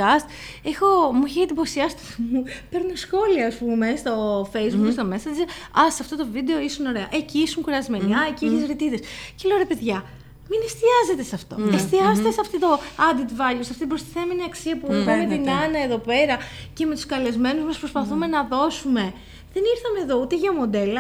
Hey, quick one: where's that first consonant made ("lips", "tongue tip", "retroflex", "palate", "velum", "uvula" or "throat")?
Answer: tongue tip